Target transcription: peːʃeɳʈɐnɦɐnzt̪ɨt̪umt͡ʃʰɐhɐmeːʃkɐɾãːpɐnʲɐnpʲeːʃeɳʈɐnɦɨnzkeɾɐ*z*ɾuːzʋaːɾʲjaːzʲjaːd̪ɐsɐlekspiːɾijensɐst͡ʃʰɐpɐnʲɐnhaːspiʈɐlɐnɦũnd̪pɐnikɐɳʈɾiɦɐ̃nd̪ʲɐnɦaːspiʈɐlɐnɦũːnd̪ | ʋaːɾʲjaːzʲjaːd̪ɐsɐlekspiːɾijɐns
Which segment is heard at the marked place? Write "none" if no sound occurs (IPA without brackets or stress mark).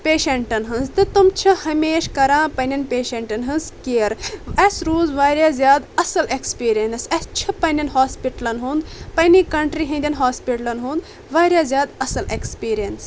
s